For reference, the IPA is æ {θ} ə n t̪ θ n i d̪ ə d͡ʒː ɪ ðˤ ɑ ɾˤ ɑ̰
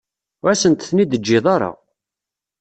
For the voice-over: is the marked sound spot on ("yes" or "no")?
no